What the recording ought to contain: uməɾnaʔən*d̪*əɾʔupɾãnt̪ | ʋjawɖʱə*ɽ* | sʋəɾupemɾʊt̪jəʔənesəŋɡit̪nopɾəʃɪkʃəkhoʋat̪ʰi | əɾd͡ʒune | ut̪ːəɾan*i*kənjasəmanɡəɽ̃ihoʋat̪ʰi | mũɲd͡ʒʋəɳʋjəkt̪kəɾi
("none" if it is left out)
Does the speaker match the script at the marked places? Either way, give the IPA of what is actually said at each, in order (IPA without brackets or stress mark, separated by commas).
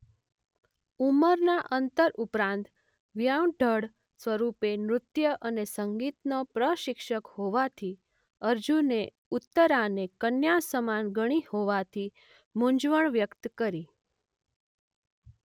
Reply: t̪, ɽ, e